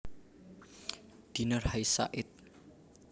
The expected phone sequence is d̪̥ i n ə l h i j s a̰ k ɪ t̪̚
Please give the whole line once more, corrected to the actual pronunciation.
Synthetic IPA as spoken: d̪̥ i n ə r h a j s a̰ ʔ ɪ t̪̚